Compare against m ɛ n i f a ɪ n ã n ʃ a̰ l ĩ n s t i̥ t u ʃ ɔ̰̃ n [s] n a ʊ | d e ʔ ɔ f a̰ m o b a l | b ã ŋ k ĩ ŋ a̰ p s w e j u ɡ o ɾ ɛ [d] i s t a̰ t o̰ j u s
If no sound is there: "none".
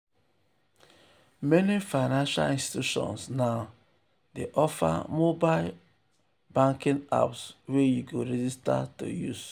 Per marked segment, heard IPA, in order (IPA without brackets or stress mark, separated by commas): s, d͡ʒ